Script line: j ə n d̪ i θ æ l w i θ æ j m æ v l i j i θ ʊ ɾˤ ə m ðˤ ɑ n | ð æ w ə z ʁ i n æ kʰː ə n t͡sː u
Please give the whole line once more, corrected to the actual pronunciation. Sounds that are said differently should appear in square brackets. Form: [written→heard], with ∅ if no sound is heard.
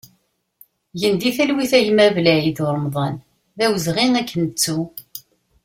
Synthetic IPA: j ə n d̪ i θ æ l w i θ æ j m æ v l [i→æ] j i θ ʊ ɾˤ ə m ðˤ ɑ n | ð æ w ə z ʁ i n æ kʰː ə n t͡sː u